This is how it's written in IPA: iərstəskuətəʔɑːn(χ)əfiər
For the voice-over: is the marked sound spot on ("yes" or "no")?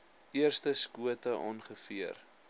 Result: yes